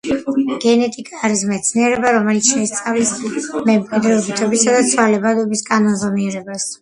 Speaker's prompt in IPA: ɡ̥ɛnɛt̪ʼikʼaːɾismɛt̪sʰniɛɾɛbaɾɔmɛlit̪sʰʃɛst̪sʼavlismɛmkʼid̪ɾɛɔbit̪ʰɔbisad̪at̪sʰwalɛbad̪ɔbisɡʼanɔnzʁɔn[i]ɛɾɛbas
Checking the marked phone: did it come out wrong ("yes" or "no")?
no